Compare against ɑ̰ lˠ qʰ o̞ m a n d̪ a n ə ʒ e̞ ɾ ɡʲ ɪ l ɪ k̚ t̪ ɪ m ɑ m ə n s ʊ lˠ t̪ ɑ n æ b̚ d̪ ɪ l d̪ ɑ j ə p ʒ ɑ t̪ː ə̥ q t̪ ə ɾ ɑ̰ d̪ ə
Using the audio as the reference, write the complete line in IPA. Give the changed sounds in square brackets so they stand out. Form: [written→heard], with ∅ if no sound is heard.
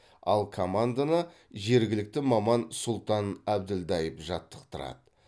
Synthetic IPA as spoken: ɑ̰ lˠ [qʰ→kʰ] o̞ m a n d̪ a n ə ʒ e̞ ɾ ɡʲ ɪ l ɪ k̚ t̪ ɪ m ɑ m [ə→ɑ] n s ʊ lˠ t̪ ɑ n æ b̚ d̪ ɪ l d̪ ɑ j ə p ʒ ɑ t̪ː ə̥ q t̪ ə ɾ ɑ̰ d̪ ə